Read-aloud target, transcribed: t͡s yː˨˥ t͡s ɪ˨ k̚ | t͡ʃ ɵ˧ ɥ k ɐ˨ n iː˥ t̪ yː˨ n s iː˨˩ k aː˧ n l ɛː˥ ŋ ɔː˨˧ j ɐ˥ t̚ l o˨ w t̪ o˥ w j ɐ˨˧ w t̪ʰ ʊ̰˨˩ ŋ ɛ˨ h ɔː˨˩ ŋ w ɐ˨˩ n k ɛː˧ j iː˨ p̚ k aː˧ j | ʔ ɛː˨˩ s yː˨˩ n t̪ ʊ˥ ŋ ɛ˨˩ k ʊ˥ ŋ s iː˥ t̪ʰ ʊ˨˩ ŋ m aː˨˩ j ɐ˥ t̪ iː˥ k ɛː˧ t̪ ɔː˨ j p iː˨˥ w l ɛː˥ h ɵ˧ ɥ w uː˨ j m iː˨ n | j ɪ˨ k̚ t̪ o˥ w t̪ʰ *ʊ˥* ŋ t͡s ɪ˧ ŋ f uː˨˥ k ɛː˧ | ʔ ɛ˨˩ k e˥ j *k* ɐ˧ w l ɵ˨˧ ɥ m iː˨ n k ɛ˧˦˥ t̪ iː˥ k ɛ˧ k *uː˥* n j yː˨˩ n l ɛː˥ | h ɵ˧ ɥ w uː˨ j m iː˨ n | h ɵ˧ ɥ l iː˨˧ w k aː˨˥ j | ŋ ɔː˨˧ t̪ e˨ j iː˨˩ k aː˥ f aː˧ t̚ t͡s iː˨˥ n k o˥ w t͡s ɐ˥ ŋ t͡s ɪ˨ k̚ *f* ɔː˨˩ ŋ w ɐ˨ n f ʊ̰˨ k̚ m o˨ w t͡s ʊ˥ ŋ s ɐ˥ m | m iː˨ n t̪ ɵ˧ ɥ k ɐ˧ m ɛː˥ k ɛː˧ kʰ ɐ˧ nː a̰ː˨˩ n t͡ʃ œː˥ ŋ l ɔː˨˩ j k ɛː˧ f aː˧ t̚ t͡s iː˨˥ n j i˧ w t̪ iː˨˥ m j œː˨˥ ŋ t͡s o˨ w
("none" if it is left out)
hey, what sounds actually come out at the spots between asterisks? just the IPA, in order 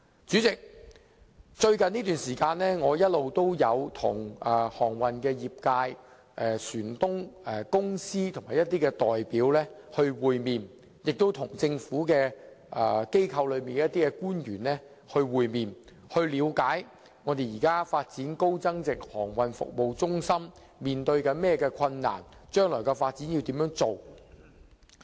ʊ˨˩, kʰ, uː˥, h

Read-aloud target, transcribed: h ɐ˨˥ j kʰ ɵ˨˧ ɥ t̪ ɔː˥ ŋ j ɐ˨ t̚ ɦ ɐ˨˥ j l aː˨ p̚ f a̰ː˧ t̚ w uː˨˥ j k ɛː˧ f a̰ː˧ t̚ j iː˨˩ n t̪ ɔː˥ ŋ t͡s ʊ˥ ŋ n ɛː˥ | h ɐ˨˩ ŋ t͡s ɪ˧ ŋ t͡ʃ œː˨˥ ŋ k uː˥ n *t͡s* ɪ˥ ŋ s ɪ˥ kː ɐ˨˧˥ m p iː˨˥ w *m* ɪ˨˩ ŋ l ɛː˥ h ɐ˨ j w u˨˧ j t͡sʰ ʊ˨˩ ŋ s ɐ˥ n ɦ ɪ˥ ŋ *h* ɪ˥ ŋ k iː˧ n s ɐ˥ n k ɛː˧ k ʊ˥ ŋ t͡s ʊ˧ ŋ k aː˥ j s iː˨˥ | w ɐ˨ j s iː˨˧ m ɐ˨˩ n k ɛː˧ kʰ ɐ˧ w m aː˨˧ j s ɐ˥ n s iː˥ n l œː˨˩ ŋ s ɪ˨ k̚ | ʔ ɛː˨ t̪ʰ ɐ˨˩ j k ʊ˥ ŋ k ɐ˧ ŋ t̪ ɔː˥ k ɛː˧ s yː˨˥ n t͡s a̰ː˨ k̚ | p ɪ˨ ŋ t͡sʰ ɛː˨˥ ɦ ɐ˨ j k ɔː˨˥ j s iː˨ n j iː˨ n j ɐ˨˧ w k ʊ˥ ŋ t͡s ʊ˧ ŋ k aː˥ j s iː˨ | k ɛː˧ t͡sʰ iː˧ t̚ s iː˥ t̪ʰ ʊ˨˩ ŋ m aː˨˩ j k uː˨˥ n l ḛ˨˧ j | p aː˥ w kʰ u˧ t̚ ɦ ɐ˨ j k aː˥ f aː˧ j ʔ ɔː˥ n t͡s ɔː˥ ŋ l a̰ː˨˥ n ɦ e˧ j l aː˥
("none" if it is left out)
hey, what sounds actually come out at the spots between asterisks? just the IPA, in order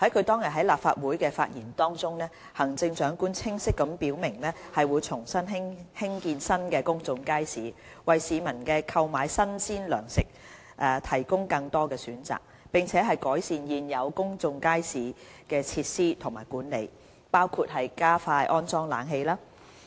t͡sʰ, m, h

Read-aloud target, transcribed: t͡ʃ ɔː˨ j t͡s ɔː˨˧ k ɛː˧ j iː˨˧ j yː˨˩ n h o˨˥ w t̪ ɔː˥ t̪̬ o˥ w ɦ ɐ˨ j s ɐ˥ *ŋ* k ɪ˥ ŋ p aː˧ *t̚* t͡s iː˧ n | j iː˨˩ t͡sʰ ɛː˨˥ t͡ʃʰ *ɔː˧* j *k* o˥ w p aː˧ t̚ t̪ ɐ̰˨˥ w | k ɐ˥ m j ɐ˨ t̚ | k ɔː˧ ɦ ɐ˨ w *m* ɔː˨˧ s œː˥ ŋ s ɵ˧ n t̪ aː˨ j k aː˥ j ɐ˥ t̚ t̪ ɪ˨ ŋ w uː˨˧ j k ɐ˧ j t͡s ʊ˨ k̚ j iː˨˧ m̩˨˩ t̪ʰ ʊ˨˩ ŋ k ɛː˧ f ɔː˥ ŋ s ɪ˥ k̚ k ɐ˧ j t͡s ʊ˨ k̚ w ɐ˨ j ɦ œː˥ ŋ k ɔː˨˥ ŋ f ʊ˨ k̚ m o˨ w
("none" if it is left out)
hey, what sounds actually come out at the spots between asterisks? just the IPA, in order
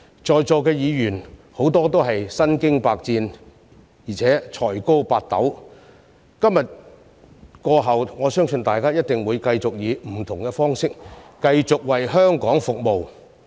n, k̚, ɔː˨˩, k, ŋ

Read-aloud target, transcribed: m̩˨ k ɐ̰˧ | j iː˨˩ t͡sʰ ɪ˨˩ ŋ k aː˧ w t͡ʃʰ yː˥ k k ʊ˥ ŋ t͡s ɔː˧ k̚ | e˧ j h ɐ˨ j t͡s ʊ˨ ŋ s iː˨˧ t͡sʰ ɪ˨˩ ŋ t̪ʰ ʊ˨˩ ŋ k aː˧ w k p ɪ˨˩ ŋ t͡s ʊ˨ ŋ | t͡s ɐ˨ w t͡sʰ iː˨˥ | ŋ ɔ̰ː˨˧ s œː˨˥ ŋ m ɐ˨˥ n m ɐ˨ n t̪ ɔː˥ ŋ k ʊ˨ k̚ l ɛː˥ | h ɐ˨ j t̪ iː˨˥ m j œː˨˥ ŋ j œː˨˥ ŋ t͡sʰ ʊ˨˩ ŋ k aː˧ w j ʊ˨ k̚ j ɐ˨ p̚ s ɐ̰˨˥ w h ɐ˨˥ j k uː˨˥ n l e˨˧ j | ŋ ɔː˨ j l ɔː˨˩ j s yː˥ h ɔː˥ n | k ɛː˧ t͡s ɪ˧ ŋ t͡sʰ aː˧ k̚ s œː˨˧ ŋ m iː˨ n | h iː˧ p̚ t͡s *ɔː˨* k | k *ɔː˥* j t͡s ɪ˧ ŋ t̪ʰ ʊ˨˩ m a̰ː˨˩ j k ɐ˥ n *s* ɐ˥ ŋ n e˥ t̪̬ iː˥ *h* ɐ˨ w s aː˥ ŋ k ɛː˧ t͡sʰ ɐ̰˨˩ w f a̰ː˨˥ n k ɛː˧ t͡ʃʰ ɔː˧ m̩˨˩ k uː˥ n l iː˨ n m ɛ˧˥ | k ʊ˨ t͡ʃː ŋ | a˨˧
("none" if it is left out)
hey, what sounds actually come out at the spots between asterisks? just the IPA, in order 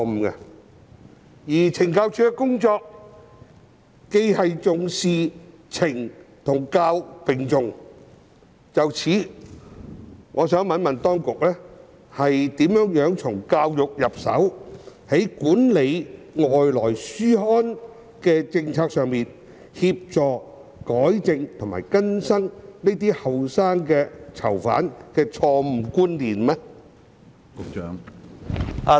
ɔː˨, ɔː˨˥, s, h

